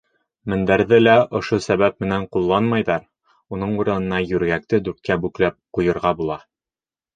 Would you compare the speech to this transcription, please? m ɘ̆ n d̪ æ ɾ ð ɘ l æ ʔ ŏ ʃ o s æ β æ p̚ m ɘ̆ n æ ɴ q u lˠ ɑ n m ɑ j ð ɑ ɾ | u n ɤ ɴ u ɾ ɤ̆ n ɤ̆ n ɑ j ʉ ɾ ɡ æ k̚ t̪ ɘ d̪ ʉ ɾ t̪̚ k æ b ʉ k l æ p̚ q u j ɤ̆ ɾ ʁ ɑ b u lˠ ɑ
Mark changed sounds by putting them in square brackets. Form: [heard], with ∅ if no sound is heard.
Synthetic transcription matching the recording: m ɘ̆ n d̪ æ ɾ ð ɘ l æ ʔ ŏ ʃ o s æ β æ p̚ m ɘ̆ n æ ɴ q u [lˠː] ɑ n m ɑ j ð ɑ ɾ | u n ɤ ɴ u ɾ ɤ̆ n ɤ̆ n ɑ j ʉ ɾ ɡ æ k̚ t̪ ɘ d̪ ʉ ɾ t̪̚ k æ b ʉ k l æ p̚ q u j ɤ̆ ɾ ʁ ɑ b u lˠ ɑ